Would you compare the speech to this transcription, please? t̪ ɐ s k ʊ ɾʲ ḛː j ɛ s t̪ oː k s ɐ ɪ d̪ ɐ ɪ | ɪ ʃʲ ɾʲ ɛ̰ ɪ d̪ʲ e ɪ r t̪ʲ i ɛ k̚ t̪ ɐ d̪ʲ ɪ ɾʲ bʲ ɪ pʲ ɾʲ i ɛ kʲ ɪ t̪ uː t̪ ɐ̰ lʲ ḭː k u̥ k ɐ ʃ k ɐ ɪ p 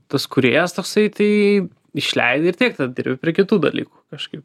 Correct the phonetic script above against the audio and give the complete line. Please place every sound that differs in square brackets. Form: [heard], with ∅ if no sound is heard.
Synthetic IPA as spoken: t̪ ɐ s k ʊ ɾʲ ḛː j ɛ s t̪ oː k s ɐ ɪ [t̪] ɐ ɪ | ɪ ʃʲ [lʲ] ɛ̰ ɪ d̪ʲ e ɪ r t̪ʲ i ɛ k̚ t̪ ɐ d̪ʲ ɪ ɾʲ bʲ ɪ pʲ ɾʲ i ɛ kʲ ɪ t̪ uː [d̪] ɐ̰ lʲ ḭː k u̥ k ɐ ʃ k ɐ ɪ p